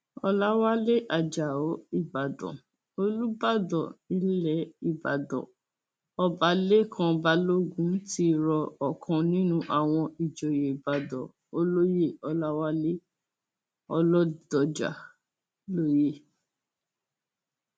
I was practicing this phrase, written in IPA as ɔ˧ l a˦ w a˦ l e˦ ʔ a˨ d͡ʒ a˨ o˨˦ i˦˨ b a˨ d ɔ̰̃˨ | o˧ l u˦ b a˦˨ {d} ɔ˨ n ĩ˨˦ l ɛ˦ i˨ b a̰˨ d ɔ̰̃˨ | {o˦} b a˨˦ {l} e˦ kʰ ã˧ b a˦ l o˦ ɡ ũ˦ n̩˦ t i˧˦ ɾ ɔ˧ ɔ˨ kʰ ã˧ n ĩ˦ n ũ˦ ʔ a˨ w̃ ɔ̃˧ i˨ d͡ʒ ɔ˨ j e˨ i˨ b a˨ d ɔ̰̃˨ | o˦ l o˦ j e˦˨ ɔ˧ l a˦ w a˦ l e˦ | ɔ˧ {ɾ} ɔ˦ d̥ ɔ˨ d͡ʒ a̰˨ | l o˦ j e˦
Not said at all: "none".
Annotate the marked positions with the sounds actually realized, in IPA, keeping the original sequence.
d, ɔ˦, l, l

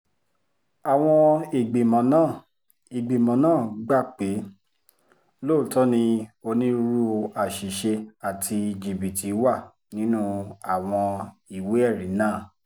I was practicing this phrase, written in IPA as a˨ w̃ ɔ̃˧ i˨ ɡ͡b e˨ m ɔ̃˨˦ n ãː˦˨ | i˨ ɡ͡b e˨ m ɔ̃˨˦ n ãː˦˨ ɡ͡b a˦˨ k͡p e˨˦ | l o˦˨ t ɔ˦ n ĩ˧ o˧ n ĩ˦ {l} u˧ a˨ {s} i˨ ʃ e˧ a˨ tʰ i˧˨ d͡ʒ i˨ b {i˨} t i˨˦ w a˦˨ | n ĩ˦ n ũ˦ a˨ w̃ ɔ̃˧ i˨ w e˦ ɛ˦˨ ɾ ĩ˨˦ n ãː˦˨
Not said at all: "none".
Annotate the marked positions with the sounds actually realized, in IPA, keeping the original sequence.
ɾ, ʃ, i˨

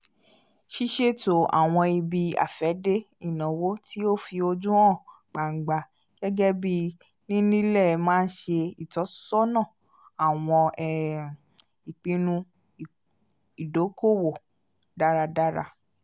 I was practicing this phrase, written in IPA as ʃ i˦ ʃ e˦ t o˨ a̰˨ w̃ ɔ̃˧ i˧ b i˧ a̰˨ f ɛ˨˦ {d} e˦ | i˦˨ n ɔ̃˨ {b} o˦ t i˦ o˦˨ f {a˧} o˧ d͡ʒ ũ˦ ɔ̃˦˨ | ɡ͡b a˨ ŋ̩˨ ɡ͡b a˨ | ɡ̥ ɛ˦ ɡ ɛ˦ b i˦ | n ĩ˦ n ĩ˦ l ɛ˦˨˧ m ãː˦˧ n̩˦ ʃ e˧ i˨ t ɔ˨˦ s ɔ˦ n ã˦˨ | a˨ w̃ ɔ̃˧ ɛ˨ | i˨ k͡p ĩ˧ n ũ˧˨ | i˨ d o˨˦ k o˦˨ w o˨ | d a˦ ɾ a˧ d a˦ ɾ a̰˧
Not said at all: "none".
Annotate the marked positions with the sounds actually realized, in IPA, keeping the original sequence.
d, w, i˧

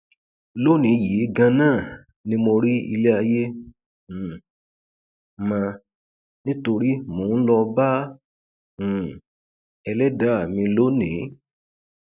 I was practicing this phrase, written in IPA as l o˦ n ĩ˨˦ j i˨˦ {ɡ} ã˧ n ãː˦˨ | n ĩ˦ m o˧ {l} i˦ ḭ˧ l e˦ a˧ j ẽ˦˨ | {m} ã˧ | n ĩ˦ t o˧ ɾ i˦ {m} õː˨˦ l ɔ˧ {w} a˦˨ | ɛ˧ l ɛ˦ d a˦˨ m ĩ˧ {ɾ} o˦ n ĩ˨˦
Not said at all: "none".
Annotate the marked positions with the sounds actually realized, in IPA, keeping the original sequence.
ɡ, ɾ, m, m, b, l

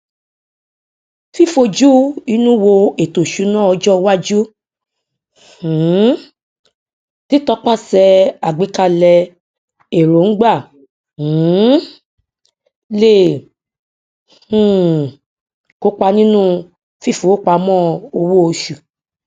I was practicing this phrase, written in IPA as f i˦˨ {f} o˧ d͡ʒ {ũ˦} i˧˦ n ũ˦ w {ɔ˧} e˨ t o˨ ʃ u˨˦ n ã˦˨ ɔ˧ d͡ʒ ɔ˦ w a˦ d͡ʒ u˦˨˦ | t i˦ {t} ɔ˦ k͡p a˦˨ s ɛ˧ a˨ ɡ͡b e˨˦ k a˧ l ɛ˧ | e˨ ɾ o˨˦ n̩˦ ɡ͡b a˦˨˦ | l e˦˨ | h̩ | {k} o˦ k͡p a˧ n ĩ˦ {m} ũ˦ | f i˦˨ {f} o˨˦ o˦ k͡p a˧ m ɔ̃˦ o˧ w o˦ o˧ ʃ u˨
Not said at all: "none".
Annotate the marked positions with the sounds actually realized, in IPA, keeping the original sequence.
f, u˦, o˧, t, k, n, f

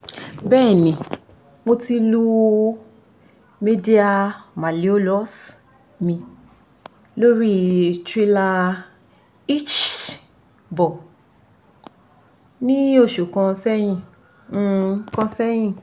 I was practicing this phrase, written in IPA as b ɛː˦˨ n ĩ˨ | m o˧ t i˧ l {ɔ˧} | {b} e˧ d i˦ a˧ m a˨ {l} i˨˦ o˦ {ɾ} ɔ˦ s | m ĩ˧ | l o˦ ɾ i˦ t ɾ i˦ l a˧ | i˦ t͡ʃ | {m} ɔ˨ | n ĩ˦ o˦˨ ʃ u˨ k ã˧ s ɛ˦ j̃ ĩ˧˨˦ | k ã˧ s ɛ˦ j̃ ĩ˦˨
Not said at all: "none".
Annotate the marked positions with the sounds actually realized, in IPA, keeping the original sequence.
u˧, m, l, l, b

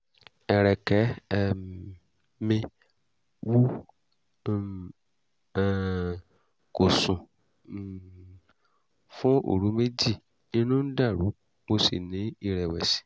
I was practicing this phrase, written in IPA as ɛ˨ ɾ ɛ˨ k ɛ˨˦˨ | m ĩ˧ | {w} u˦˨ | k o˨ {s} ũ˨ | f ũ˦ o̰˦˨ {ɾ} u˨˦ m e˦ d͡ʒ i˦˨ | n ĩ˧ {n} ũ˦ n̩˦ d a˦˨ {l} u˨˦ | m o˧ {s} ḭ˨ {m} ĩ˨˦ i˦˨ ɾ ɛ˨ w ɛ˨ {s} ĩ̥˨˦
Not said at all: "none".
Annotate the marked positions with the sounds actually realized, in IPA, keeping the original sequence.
w, s, ɾ, n, ɾ, s, n, s

